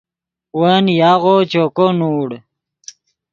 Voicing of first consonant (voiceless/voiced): voiced